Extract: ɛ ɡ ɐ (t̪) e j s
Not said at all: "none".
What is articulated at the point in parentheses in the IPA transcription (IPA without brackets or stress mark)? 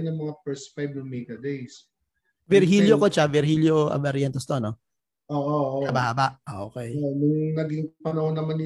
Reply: d̪